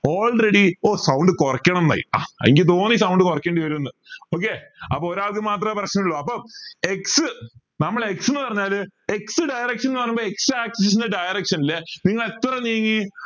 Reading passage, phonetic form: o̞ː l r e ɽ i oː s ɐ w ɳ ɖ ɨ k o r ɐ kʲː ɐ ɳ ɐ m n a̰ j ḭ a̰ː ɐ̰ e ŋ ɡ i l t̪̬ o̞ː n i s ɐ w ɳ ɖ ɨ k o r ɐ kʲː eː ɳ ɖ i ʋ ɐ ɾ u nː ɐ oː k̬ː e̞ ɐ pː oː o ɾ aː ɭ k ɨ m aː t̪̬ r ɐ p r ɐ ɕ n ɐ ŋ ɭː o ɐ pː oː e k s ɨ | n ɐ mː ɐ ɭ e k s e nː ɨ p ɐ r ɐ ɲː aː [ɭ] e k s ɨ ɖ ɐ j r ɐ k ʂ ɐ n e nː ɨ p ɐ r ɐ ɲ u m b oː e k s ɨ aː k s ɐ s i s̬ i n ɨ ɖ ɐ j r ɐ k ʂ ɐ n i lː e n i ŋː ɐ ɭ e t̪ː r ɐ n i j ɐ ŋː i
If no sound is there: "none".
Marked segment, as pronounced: l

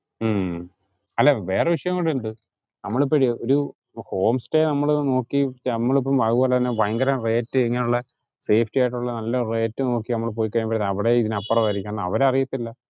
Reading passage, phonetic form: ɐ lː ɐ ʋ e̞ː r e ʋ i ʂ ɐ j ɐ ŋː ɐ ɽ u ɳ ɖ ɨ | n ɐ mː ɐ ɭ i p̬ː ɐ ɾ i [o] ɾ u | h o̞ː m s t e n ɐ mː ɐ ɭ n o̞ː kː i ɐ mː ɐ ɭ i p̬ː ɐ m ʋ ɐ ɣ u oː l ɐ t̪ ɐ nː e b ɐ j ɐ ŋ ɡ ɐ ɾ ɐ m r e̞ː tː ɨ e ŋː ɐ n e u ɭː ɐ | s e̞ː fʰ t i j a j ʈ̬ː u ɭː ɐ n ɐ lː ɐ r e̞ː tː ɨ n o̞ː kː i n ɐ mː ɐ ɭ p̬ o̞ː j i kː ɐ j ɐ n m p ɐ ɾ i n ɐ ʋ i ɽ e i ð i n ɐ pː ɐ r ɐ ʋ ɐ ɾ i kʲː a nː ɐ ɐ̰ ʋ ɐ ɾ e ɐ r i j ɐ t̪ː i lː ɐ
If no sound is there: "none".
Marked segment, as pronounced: o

